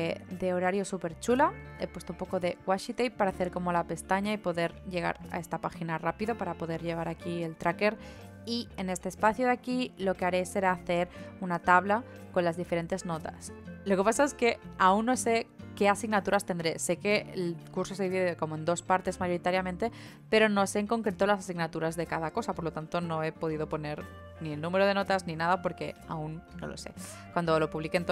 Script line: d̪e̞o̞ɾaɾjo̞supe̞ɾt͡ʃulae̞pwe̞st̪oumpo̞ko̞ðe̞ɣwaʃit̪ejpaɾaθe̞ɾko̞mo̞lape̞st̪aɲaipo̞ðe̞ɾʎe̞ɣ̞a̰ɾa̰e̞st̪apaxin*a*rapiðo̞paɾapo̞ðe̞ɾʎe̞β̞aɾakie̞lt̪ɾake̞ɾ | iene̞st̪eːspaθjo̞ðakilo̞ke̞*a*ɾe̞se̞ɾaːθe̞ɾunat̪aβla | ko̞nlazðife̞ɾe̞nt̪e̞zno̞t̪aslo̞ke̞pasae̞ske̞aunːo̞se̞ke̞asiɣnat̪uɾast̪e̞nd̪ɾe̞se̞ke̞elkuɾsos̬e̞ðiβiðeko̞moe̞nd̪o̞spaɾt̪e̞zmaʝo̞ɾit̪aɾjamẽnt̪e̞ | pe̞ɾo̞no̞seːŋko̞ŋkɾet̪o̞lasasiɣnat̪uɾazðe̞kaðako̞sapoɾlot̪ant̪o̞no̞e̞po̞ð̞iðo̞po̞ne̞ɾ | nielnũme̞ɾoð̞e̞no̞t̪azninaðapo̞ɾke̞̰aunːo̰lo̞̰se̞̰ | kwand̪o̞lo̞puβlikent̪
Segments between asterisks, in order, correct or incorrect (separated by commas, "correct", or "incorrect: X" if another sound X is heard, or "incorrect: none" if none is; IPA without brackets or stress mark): correct, correct